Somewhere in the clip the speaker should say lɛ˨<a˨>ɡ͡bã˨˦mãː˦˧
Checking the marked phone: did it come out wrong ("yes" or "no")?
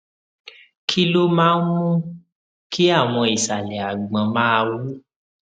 no